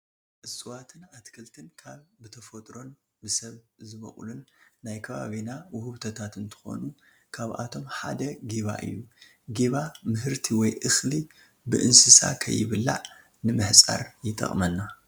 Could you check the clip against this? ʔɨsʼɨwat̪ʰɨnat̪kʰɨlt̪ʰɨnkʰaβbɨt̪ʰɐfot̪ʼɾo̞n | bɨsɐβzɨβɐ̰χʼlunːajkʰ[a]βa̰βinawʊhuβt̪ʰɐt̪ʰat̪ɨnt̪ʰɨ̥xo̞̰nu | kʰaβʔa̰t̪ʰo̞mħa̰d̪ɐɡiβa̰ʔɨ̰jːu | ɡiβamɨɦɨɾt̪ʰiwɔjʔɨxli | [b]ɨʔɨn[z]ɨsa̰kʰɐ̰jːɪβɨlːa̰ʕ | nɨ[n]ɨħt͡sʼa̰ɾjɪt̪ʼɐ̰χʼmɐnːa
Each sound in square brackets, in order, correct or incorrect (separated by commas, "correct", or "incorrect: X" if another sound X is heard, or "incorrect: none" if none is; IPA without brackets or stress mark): incorrect: ɐ, correct, incorrect: s, incorrect: m